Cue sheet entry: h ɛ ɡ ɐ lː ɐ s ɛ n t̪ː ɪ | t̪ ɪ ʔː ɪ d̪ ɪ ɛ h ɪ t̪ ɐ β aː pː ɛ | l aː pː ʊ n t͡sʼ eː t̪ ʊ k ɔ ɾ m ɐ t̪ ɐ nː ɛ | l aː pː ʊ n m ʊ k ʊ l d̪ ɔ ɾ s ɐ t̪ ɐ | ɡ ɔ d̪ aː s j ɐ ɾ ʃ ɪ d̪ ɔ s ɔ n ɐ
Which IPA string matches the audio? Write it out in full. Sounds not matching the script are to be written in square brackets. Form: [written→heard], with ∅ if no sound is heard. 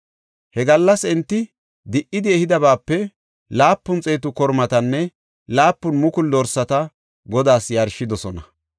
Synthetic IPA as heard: h ɛ ɡ ɐ lː ɐ s ɛ n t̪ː ɪ | [t̪→d̪] ɪ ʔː ɪ d̪ ɪ ɛ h ɪ [t̪→d̪] ɐ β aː pː ɛ | l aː pː ʊ n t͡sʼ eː t̪ ʊ k ɔ ɾ m ɐ t̪ ɐ nː ɛ | l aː pː ʊ n m ʊ k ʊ l d̪ ɔ ɾ s ɐ t̪ ɐ | ɡ ɔ d̪ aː s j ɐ ɾ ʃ ɪ d̪ ɔ s ɔ n ɐ